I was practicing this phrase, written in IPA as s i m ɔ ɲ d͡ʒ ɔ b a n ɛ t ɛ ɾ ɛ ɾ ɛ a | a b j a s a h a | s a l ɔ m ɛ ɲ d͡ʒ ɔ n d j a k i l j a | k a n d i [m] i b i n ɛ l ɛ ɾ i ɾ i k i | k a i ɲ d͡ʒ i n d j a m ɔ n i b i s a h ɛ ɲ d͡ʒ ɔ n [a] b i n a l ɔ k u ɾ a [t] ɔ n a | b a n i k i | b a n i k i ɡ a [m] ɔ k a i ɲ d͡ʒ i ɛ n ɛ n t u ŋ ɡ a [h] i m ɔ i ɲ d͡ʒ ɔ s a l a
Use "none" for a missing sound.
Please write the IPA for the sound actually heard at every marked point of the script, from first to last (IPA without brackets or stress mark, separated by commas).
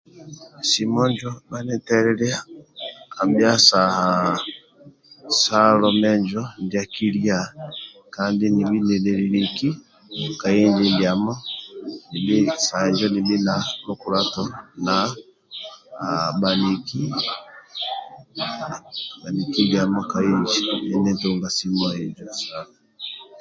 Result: n, i, t, m, s